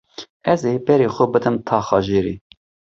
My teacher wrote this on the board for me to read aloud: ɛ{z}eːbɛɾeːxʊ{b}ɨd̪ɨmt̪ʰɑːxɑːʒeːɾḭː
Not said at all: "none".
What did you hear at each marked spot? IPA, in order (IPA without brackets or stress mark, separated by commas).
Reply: z, b